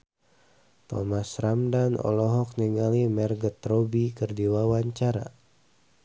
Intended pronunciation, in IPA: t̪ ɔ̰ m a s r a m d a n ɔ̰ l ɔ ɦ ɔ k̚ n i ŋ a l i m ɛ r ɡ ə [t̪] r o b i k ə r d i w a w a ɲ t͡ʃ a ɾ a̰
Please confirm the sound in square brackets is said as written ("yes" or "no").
yes